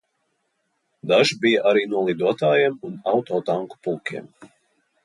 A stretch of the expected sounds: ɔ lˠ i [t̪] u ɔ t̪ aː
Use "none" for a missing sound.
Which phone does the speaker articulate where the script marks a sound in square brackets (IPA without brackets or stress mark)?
d̪